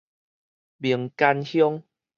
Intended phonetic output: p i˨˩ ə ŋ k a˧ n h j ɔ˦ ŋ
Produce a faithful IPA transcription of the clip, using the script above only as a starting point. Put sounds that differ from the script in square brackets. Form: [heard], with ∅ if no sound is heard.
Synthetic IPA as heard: [b] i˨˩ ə ŋ k a˧ n h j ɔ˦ ŋ